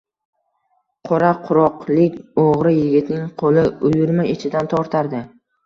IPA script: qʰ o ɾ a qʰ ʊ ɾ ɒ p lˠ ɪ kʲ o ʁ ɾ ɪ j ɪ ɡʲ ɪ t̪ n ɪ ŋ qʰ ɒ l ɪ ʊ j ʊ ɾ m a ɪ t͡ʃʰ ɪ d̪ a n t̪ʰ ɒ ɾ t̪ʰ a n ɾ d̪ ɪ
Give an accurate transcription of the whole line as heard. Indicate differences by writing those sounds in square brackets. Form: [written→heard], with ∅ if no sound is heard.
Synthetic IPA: qʰ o ɾ a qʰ ʊ ɾ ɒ [p→q] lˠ ɪ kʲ o ʁ ɾ ɪ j ɪ ɡʲ ɪ t̪ n ɪ ŋ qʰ [ɒ→o] l ɪ ʊ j ʊ ɾ m a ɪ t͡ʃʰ ɪ d̪ a n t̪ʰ ɒ ɾ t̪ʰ a [n→∅] ɾ d̪ ɪ